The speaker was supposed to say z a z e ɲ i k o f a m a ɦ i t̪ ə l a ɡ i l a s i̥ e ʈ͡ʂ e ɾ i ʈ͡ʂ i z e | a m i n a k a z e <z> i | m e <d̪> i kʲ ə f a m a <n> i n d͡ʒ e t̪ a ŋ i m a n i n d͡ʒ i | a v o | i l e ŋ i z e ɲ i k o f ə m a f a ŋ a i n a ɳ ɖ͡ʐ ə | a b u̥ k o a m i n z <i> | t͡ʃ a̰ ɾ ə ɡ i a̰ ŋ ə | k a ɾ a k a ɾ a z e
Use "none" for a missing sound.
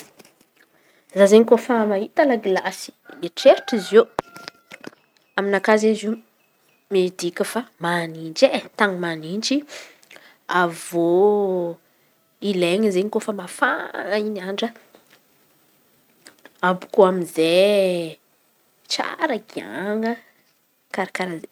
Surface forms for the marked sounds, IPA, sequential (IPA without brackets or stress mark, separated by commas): z, d̪, n, e